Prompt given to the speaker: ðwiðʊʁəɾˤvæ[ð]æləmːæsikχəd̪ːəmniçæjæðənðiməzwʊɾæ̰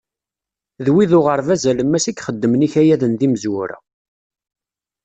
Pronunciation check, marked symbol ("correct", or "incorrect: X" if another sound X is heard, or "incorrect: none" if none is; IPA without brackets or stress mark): incorrect: z